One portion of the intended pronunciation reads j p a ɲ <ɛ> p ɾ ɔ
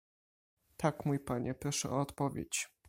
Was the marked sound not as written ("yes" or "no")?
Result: no